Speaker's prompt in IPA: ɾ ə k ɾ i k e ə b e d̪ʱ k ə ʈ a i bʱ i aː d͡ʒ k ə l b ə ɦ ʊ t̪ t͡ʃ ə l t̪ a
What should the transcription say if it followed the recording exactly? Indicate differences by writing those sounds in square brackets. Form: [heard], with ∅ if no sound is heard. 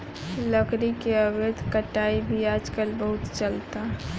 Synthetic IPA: [l] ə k ɾ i k e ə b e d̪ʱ k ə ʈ a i bʱ i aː d͡ʒ k ə l b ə ɦ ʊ t̪ t͡ʃ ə l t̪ a